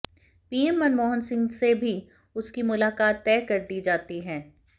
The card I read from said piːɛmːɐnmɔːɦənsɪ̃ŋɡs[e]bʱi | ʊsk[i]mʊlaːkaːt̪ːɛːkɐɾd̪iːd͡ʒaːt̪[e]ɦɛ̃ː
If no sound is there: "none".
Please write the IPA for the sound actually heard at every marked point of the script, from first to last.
e, i, i

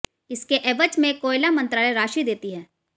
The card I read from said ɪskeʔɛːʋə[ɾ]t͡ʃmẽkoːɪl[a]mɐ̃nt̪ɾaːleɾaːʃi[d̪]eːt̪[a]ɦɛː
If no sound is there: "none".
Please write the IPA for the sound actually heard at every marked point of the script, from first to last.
none, a, d̪, i

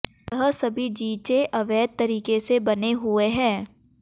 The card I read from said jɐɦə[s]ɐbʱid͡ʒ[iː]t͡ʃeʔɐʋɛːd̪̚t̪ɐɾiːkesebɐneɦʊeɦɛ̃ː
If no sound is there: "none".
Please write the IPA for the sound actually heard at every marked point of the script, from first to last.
s, iː

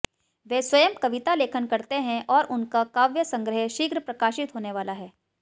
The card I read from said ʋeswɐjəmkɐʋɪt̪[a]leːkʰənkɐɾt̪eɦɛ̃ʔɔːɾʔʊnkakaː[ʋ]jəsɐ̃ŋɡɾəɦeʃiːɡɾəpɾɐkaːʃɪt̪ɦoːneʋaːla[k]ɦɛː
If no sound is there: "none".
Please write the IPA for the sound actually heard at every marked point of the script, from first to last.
a, ʋ, none

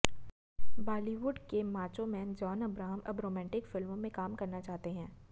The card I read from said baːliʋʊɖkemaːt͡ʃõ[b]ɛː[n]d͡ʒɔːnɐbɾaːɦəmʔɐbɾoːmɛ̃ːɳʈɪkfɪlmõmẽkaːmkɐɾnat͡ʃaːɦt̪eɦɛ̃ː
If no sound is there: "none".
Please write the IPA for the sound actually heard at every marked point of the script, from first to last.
m, n

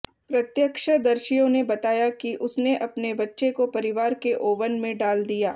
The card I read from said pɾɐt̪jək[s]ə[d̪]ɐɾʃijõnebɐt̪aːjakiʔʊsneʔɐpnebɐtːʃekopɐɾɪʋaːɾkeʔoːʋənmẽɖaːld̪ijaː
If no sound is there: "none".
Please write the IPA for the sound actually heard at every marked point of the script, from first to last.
ʃ, d̪

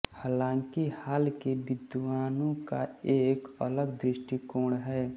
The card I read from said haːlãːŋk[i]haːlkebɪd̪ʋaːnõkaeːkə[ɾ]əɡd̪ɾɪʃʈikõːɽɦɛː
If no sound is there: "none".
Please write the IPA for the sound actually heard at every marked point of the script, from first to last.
i, l

